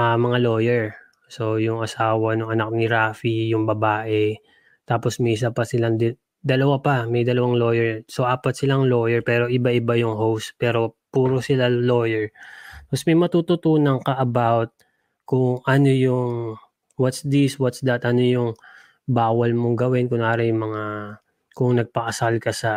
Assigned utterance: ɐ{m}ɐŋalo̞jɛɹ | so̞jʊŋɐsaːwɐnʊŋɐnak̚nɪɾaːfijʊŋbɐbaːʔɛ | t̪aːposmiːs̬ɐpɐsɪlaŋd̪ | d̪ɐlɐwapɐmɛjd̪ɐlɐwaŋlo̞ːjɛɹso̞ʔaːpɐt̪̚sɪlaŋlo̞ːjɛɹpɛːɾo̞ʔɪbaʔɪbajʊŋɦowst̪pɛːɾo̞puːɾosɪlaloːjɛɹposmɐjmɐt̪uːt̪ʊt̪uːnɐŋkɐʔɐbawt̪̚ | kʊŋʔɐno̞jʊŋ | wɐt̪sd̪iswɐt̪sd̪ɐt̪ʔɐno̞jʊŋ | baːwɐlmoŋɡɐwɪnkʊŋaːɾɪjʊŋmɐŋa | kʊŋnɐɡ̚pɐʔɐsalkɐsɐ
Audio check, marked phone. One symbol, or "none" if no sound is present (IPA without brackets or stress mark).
m